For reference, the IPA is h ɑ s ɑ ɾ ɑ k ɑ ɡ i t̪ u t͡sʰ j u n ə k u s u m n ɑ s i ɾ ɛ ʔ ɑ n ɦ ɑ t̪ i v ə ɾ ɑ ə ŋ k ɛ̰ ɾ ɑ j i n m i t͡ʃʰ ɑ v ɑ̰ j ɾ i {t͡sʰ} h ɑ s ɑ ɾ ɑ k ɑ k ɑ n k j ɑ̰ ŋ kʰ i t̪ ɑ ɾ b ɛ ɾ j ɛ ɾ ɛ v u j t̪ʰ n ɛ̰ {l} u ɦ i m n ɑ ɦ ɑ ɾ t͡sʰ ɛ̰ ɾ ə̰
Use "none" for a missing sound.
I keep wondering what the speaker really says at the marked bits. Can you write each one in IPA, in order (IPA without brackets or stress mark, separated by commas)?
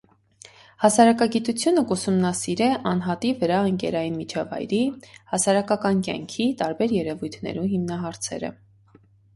none, ɾ